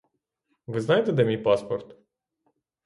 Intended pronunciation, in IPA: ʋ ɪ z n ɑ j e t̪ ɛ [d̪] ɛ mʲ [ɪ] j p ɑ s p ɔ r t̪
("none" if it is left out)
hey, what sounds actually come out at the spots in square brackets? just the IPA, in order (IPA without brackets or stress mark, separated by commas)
d̪, i